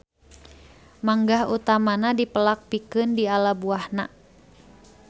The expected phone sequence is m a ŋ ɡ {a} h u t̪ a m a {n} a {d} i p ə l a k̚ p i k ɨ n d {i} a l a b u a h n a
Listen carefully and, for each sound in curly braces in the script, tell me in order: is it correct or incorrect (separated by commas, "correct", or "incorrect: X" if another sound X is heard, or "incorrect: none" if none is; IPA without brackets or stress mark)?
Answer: correct, correct, correct, correct